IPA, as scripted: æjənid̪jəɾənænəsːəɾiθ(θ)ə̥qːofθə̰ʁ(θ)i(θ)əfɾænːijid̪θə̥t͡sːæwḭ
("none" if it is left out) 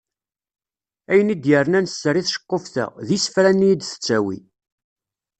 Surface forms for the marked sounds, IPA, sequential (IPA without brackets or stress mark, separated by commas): ʃ, ð, s